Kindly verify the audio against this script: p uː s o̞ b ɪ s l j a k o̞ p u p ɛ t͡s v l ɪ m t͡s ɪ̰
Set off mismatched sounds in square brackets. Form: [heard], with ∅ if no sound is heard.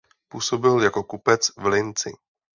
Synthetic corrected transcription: p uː s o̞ b ɪ [∅] l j a k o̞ [k] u p ɛ t͡s v l ɪ [n] t͡s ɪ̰